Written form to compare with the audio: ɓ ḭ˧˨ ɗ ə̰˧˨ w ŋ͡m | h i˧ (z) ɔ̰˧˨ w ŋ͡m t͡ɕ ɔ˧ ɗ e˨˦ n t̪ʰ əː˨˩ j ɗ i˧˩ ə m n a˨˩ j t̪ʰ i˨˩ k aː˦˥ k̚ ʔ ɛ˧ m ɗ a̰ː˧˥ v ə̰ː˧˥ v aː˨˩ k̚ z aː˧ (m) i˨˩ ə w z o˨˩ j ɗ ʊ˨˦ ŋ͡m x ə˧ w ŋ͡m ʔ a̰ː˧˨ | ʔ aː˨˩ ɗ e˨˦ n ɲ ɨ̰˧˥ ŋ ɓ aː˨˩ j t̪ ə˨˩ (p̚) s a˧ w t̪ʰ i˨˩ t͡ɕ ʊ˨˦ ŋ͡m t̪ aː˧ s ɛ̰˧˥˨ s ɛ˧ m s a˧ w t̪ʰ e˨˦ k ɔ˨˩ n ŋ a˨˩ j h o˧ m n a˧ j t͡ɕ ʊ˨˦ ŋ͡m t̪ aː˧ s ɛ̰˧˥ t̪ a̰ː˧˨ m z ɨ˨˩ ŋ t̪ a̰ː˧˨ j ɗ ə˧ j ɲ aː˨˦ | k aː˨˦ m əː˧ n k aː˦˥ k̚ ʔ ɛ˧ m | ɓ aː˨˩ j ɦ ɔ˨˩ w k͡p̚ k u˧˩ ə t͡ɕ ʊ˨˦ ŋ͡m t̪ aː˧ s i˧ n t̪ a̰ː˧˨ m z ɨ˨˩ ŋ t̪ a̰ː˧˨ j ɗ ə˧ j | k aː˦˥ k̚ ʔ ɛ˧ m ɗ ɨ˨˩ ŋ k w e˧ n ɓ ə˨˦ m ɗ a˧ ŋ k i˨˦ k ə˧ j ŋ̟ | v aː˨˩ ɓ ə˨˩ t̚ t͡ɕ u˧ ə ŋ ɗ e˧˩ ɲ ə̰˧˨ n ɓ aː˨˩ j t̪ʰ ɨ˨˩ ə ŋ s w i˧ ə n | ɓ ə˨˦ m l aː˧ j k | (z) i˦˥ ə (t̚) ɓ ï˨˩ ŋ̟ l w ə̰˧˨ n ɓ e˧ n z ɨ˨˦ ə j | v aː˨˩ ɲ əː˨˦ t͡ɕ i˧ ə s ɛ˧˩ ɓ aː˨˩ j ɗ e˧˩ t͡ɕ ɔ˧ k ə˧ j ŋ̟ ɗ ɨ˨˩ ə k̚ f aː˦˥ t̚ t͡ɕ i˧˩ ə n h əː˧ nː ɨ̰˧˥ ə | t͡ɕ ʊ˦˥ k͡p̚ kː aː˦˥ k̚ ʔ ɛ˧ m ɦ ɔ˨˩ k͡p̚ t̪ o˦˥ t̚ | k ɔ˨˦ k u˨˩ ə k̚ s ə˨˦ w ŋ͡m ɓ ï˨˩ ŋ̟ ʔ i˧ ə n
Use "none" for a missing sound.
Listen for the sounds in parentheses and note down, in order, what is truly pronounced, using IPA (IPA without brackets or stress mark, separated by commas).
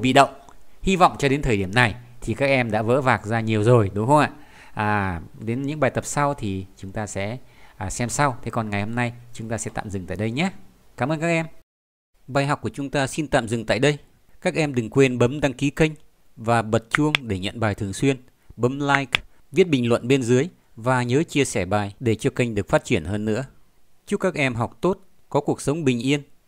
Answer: v, ɲ, p̚, v, t̚